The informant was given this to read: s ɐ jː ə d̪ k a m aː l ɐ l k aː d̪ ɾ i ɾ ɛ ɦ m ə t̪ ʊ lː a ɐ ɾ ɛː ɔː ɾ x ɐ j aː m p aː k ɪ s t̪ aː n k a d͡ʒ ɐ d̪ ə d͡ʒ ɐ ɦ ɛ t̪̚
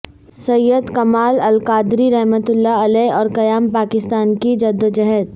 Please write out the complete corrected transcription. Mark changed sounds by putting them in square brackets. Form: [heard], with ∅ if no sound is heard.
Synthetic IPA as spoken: s ɐ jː ə d̪ k [ɐ] m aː l ɐ l k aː d̪ ɾ i ɾ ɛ ɦ m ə t̪ ʊ lː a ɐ [l] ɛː ɔː ɾ [k] ɐ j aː m p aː k ɪ s t̪ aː n k [i] d͡ʒ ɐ d̪ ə d͡ʒ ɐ ɦ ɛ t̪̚